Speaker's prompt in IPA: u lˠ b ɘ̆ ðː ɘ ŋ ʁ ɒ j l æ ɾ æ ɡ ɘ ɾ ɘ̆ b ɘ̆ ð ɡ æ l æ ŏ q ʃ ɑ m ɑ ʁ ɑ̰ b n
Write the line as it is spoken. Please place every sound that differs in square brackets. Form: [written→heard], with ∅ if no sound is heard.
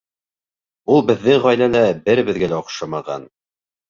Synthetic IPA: u lˠ b ɘ̆ ðː ɘ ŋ ʁ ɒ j l æ [ɾ→l] æ [ɡ→b] ɘ ɾ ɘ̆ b ɘ̆ ð ɡ æ l æ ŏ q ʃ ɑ m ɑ ʁ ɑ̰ [b→∅] n